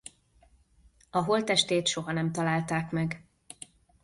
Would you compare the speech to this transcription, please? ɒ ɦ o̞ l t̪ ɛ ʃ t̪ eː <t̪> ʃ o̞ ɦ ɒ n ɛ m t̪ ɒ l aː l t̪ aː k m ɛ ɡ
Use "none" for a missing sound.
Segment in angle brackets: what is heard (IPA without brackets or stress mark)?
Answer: t̪